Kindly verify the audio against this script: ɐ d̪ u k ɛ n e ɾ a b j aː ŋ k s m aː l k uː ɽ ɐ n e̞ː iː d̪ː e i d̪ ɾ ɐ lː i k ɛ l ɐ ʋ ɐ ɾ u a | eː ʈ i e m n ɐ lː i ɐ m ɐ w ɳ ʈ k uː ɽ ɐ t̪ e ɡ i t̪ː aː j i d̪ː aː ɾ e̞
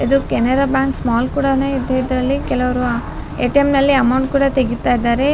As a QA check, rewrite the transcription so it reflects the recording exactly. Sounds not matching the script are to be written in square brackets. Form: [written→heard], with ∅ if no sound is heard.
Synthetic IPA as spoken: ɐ d̪ u k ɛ n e ɾ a b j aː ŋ k s m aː l k uː ɽ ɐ n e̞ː [iː→i] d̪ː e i d̪ ɾ ɐ lː i k ɛ l ɐ ʋ ɐ ɾ u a | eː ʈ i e m n ɐ lː i ɐ m ɐ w ɳ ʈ k uː ɽ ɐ t̪ e ɡ i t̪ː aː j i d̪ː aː ɾ e̞